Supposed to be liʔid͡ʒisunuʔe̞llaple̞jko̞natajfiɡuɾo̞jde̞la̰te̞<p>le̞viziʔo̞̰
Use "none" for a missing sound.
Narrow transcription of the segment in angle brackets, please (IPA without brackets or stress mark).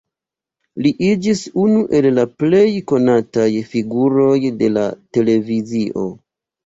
none